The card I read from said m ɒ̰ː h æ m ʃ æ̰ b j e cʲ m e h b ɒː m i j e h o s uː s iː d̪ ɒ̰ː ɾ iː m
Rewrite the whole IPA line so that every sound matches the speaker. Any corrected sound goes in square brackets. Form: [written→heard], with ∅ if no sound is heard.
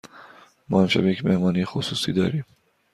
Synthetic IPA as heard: m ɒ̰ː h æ m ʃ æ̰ b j e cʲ m e h [b→m] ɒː [m→n] i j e [h→x] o s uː s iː d̪ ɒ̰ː ɾ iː m